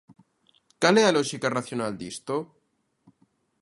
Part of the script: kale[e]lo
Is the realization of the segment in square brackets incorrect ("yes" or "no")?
yes